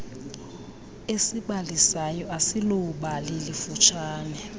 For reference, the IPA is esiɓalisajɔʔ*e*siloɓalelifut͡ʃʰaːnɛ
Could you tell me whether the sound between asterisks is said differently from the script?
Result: yes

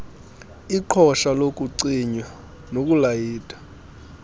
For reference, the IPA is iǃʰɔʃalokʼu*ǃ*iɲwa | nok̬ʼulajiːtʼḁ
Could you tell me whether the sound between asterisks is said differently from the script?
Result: yes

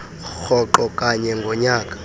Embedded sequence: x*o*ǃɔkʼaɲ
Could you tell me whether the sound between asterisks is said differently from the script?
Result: yes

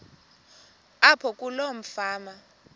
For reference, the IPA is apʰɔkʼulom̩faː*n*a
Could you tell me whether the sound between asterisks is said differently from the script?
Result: yes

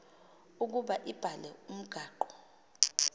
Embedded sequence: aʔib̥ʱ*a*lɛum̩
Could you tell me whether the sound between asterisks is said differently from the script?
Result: no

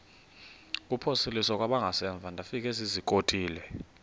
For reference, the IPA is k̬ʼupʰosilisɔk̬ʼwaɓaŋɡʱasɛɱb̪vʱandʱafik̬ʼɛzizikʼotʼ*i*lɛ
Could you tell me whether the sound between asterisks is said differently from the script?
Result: yes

